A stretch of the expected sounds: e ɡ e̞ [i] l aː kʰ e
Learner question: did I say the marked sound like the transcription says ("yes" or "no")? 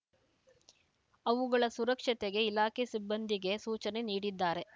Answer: yes